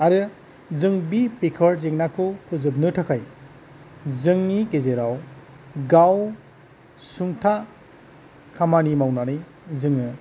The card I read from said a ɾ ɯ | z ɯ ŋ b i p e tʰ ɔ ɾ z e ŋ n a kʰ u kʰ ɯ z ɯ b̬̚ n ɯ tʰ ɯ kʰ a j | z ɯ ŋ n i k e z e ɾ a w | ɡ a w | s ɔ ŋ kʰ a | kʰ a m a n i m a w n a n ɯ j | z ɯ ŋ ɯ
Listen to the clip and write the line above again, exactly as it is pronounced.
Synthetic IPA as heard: a ɾ ɯ | z ɯ ŋ b i p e kʰ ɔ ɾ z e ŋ n a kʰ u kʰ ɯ z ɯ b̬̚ n ɯ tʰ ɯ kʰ a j | z ɯ ŋ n i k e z e ɾ a w | ɡ a w | s u ŋ tʰ a | kʰ a m a n i m a w n a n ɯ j | z ɯ ŋ ɯ